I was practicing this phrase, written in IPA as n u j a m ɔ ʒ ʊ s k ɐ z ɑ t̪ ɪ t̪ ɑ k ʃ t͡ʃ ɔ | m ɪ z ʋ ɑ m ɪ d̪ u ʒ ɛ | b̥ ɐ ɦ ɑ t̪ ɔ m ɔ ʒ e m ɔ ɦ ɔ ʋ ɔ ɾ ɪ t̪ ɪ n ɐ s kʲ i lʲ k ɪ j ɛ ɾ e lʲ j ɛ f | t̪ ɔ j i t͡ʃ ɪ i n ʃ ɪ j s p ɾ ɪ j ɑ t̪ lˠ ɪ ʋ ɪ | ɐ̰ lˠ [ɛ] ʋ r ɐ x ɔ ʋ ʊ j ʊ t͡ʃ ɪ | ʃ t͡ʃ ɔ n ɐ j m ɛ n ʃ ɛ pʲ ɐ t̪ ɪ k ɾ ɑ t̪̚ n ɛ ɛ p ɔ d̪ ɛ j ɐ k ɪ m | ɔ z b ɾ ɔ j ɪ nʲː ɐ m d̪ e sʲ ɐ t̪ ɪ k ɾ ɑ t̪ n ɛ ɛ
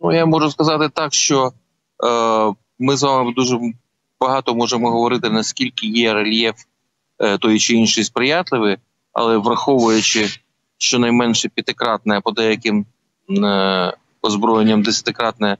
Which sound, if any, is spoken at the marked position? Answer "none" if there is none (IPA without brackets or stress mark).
ɛ